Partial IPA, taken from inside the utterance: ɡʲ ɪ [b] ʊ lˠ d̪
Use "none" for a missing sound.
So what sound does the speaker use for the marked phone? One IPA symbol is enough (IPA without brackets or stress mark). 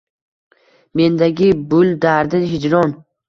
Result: b